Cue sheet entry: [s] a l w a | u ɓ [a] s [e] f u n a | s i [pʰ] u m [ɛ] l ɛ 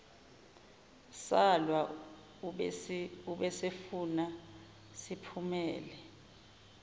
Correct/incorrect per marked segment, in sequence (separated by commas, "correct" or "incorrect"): correct, incorrect, correct, correct, incorrect